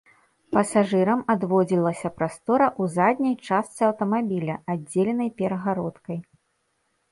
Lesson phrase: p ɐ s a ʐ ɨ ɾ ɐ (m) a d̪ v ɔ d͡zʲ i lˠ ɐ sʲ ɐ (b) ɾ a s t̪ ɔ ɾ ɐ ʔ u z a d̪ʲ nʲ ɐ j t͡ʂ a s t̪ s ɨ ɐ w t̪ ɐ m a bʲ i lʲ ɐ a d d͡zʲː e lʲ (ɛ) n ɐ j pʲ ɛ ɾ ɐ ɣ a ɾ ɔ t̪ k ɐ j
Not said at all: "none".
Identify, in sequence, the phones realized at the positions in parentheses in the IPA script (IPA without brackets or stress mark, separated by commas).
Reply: m, p, ɛ